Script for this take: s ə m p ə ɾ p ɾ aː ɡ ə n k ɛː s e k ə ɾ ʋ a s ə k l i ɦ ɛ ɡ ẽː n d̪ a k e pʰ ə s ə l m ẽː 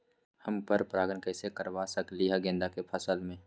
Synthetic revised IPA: h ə m p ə ɾ p ɾ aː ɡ ə n k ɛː s e k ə ɾ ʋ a s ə k l i ɦ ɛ ɡ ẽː n d̪ a k e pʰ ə s ə l m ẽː

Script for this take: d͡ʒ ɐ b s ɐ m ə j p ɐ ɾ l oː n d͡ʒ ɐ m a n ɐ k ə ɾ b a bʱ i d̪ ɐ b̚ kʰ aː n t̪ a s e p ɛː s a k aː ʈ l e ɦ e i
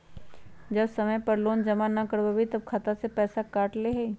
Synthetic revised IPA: d͡ʒ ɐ b s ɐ m ə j p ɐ ɾ l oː n d͡ʒ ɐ m a n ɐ k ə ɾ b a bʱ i t̪ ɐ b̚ kʰ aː t̪ a s e p ɛː s a k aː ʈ l e ɦ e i

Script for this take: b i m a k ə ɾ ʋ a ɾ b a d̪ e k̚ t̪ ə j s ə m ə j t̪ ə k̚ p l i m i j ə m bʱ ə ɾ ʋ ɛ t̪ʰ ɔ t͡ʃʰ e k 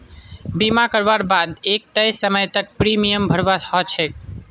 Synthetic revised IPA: b i m a k ə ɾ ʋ a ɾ b a d̪ e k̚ t̪ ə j s ə m ə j t̪ ə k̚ p ɾ i m i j ə m bʱ ə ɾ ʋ a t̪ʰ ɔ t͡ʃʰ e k

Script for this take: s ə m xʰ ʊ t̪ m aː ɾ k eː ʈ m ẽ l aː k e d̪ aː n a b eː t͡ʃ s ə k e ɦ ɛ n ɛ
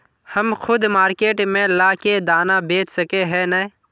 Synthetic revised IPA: h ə m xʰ ʊ d̪ m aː ɾ k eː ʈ m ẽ l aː k e d̪ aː n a b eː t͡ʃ s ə k e ɦ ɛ n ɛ

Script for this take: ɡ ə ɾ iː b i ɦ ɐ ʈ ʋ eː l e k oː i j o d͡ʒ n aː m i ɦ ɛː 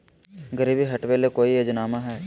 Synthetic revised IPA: ɡ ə ɾ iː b i ɦ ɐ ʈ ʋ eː l e k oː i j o d͡ʒ n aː m a ɦ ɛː

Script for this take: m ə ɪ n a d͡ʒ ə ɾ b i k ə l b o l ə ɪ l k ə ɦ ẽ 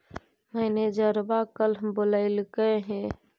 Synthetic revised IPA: m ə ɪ n e d͡ʒ ə ɾ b a k ə l b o l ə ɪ l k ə ɦ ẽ

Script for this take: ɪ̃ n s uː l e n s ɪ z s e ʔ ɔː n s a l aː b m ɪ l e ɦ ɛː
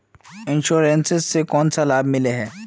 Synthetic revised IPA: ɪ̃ n ʃ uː ɾ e n s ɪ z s e k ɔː n s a l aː b m ɪ l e ɦ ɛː

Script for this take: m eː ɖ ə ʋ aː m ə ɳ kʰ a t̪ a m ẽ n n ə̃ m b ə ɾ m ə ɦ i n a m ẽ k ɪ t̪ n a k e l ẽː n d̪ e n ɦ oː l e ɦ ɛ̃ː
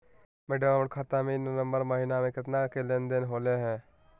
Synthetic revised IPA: m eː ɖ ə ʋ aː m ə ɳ kʰ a t̪ a m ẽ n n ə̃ m b ə ɾ m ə ɦ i n a m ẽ k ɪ t̪ n a k e l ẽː n d̪ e n ɦ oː l e ɦ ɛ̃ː

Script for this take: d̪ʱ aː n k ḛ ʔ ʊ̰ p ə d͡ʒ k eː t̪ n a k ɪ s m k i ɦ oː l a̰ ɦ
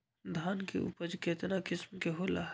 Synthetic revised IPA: d̪ʱ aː n k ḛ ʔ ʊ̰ p ə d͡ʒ k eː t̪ n a k ɪ s m k e ɦ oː l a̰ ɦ

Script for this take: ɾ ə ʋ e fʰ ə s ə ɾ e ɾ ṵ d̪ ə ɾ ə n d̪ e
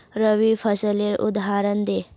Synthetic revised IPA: ɾ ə ʋ i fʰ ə s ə l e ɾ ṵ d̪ a ɾ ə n d̪ e

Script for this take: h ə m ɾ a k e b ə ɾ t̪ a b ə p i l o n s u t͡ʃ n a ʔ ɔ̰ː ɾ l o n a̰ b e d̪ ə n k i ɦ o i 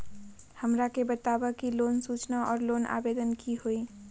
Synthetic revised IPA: h ə m ɾ a k e b ə t̪ a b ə k i l o n s u t͡ʃ n a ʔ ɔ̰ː ɾ l o n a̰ b e d̪ ə n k i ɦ o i

